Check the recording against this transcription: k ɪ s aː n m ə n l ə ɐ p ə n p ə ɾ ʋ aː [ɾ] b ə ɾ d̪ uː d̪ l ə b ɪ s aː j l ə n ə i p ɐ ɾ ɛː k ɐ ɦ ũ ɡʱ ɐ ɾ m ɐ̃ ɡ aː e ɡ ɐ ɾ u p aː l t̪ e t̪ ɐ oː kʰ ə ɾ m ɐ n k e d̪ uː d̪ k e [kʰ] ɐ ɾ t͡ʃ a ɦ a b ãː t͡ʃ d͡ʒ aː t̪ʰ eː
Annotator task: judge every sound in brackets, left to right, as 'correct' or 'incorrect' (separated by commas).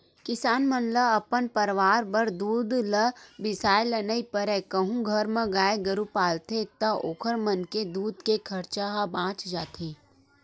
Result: correct, correct